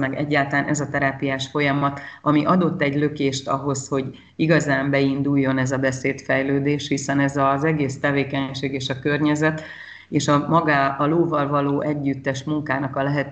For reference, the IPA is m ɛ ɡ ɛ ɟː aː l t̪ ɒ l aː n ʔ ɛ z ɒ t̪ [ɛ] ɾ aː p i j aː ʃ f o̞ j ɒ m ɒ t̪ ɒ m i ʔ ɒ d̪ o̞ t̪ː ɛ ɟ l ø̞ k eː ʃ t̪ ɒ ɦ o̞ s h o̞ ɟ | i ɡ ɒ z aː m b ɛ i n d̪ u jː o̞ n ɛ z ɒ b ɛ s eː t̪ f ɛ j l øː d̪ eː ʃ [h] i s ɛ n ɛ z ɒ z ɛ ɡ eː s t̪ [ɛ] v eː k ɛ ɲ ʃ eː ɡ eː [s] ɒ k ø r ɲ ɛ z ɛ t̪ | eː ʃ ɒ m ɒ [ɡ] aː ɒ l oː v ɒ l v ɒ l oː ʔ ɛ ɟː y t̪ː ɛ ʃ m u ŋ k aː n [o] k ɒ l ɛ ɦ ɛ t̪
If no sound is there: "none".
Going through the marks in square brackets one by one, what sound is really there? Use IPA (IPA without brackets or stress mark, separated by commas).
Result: ɛ, h, ɛ, ʃ, ɡ, ɒ